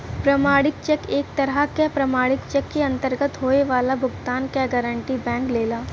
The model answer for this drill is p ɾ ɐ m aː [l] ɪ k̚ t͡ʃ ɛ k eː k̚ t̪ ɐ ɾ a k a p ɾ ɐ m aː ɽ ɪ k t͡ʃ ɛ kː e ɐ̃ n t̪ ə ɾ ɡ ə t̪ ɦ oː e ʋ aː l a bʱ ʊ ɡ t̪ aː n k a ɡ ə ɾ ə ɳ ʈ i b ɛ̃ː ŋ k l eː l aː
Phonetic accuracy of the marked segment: incorrect: ɽ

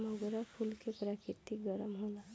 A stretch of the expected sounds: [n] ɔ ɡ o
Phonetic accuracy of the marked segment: incorrect: m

